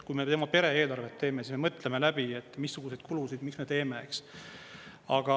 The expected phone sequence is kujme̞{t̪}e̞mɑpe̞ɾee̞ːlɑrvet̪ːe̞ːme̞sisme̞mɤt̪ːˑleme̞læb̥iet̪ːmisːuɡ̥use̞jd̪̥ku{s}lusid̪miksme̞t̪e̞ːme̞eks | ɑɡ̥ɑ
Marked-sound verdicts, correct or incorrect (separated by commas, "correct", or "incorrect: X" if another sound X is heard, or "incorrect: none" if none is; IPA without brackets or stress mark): correct, incorrect: none